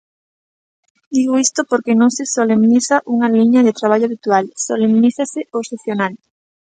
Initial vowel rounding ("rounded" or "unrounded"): unrounded